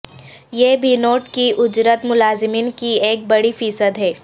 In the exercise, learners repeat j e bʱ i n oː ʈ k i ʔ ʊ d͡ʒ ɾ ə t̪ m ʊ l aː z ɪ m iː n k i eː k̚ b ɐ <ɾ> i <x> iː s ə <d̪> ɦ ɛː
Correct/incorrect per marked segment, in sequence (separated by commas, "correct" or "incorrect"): incorrect, incorrect, correct